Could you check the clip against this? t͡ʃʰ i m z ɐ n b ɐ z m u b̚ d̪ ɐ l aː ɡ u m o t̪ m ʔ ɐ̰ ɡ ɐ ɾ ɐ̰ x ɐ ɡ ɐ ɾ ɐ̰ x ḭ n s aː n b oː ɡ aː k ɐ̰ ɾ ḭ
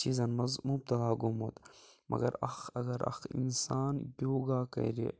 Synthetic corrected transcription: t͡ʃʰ i z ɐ n m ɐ z m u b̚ t̪ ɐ l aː ɡ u m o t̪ m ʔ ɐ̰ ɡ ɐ ɾ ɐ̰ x ɐ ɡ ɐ ɾ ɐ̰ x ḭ n s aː n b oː ɡ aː k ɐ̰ ɾ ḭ